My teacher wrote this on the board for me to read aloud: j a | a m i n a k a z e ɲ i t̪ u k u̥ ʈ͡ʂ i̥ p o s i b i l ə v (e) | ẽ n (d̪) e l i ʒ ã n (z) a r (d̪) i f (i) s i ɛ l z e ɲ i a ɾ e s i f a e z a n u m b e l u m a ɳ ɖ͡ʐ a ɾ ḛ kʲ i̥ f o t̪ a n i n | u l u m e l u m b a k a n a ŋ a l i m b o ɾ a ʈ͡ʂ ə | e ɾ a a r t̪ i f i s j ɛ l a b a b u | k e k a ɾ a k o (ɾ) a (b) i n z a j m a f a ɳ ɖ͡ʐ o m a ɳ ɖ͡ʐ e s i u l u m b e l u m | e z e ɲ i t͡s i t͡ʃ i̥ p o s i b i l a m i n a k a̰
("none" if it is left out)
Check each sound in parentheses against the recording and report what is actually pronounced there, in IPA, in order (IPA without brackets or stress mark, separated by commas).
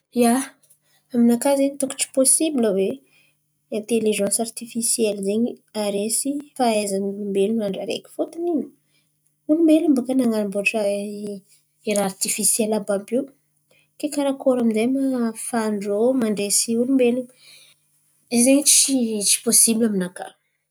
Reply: e, t̪, s, t̪, i, ɾ, m